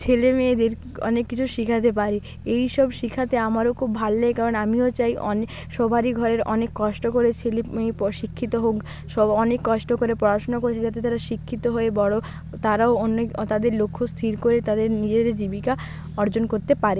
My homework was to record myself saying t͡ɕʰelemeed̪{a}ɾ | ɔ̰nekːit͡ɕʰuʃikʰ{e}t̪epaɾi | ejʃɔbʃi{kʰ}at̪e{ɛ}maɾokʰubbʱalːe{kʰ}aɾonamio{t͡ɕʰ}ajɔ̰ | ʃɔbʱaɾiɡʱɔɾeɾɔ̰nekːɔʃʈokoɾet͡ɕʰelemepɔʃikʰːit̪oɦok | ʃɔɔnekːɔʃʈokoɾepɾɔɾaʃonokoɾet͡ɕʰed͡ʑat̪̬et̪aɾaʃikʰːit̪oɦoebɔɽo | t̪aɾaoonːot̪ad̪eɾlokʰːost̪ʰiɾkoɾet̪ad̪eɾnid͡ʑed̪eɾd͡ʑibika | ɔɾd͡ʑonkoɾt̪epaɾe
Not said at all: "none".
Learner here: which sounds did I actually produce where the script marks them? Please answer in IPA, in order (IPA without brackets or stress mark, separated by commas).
e, a, kʰ, a, k, t͡ɕ